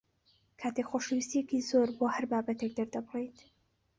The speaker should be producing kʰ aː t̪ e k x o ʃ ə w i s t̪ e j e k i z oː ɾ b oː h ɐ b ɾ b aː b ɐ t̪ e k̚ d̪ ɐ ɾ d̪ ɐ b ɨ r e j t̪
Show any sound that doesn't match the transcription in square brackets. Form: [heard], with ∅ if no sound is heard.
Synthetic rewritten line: kʰ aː t̪ e k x o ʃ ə w i s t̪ [i] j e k i z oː ɾ b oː h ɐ [∅] ɾ b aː b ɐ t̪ e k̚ d̪ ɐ ɾ d̪ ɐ b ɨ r e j t̪